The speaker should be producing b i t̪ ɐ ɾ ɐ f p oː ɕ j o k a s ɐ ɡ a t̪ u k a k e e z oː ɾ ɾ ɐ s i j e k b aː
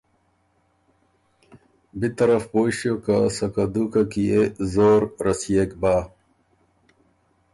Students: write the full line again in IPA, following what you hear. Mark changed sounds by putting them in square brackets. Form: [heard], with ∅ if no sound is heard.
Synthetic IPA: b i t̪ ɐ ɾ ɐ f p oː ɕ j o k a s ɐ [k] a [d̪] u k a k [i] e z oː ɾ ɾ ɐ s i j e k b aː